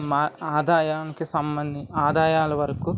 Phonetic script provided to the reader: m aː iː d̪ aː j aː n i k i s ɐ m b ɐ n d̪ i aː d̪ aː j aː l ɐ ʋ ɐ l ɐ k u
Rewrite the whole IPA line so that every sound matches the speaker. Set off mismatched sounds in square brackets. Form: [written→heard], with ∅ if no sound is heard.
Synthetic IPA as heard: m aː [iː→aː] d̪ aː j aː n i k i s ɐ m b ɐ n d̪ i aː d̪ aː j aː l ɐ ʋ ɐ [l→ɾ] ɐ k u